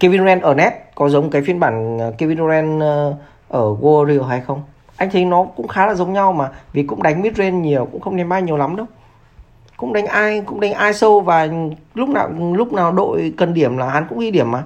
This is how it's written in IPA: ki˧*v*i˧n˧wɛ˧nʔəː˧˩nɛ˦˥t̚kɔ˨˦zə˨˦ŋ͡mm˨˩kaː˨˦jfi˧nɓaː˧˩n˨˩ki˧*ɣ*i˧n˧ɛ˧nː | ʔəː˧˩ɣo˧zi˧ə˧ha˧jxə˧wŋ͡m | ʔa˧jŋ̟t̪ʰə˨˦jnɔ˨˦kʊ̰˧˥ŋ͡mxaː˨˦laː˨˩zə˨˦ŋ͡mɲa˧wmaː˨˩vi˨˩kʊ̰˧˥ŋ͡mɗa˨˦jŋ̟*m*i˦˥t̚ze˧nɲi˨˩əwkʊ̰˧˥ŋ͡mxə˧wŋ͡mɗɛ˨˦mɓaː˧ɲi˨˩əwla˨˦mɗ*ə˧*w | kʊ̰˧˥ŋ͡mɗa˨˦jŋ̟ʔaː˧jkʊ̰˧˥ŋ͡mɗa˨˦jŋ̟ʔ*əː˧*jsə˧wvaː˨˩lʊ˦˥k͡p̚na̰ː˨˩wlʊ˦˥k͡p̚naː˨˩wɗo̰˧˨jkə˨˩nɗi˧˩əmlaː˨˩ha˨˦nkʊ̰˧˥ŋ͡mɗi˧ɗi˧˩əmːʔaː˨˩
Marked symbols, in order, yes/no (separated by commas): yes, no, yes, yes, no